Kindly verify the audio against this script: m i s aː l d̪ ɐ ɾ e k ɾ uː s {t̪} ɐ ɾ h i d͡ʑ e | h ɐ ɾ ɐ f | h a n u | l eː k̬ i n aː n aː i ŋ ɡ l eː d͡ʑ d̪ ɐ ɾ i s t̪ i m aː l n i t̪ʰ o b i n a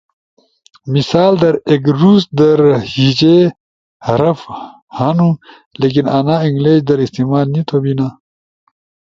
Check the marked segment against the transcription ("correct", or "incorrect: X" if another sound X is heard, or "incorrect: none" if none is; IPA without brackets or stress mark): incorrect: d̪